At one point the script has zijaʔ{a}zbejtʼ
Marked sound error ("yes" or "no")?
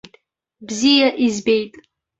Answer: yes